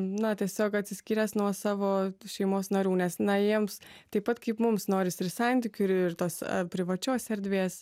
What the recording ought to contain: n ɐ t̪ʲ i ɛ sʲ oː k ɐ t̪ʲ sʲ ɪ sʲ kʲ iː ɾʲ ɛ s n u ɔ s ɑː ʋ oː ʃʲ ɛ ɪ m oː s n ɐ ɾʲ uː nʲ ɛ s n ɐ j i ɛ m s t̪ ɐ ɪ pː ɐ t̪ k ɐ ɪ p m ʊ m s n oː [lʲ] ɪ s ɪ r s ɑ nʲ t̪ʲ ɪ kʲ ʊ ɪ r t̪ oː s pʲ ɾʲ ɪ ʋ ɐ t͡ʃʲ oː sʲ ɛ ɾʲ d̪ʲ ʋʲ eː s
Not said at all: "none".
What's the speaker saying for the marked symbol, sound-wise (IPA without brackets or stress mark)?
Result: ɾʲ